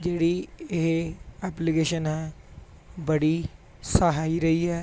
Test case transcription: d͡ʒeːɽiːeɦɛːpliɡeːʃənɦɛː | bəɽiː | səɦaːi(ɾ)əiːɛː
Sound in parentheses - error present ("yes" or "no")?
no